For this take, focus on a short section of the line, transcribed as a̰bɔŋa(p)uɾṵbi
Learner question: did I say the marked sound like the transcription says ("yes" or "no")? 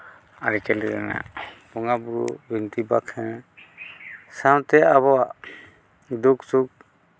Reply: no